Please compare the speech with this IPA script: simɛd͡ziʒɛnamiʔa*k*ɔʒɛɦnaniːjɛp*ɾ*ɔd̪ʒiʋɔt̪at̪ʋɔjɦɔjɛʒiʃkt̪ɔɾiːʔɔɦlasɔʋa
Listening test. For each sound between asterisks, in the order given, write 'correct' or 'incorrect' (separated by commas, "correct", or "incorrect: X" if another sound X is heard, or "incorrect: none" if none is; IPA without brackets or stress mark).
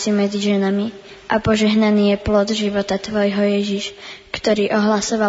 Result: incorrect: p, incorrect: l